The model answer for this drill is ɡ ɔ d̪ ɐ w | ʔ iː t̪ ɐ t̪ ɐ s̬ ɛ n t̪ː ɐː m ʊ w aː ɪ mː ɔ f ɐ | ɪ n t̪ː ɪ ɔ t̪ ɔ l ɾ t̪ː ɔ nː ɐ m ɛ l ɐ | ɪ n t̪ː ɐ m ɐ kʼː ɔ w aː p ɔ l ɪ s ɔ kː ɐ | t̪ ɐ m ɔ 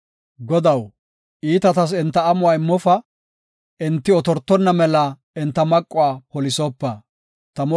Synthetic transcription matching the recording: ɡ ɔ d̪ ɐ w | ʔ iː t̪ ɐ t̪ ɐ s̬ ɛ n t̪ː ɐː m ʊ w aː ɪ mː ɔ f ɐ | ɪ n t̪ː ɪ ɔ t̪ ɔ ɾ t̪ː ɔ nː ɐ m ɛ l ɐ | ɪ n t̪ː ɐ m ɐ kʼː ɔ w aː p ɔ l ɪ s ɔ pː ɐ | t̪ ɐ m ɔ